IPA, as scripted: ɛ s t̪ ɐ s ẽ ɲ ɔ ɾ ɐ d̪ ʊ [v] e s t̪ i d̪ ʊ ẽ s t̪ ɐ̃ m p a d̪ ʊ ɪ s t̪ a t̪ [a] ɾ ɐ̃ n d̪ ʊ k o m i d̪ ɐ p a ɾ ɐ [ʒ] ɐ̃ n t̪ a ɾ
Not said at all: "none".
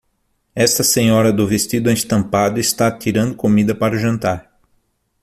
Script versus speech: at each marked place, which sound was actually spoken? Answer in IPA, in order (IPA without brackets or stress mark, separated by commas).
v, i, ʒ